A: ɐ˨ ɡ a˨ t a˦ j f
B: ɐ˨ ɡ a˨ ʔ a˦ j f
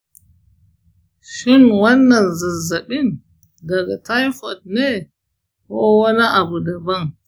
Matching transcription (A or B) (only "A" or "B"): A